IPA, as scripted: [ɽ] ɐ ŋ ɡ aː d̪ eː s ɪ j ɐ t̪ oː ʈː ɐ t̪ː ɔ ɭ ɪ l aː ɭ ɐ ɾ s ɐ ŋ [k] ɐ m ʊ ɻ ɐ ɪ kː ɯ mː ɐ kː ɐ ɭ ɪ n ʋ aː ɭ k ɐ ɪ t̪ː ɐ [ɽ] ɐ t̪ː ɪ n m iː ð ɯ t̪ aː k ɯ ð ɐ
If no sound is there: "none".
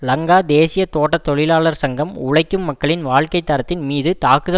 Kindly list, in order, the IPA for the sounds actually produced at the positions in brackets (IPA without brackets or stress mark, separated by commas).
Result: l, ɡ, ɾ